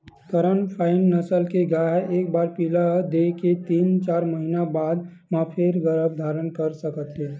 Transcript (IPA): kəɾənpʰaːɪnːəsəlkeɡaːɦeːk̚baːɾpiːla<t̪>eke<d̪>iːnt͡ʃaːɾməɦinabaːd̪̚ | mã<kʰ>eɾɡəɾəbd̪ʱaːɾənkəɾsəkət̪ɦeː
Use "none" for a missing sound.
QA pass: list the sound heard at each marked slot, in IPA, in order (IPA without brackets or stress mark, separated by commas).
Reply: d̪, t̪, pʰ